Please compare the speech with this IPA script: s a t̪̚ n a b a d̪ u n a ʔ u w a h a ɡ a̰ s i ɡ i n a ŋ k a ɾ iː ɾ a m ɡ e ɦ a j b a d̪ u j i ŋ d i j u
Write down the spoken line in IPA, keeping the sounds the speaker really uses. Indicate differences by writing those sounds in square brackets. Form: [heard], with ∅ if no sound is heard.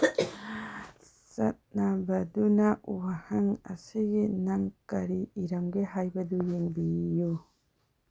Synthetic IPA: s a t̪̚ n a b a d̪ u n a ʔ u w a h a [ŋ] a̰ s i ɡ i n a ŋ k a ɾ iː ɾ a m ɡ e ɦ a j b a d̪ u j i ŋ [b] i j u